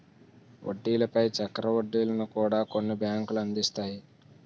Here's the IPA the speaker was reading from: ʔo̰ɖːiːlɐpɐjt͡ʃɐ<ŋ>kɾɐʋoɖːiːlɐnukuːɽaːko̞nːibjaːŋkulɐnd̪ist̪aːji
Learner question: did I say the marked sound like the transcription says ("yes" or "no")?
no